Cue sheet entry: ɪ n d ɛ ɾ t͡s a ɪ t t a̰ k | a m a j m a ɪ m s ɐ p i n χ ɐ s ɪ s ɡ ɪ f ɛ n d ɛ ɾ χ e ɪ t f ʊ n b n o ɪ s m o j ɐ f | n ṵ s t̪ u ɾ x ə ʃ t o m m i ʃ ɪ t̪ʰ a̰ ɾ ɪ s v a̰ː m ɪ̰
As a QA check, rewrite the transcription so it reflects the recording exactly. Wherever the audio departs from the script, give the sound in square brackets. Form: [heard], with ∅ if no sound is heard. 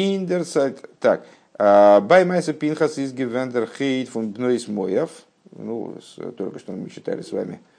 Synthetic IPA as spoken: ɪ n d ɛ ɾ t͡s a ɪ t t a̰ k | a [b] a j m a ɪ [∅] s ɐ p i n χ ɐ s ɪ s ɡ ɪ [v] ɛ n d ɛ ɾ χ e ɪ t f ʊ n b n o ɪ s m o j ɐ f | n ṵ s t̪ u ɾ [k] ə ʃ t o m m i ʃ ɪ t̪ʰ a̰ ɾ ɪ s v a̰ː m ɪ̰